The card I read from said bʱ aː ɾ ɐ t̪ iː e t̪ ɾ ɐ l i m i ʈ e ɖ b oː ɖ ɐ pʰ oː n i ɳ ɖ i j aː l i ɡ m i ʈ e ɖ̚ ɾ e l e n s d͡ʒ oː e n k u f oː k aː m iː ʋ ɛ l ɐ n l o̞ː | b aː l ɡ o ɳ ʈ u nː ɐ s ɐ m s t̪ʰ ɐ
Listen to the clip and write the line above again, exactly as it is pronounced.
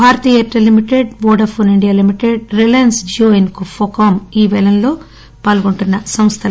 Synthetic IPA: bʱ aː ɾ ɐ t̪ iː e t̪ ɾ ɐ l i m i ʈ e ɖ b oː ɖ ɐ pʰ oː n i ɳ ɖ i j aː l i m i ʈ e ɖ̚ ɾ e l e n s d͡ʒ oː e n k u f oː k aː m iː ʋ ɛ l ɐ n l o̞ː | p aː l ɡ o ɳ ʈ u nː ɐ s ɐ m s t̪ʰ ɐ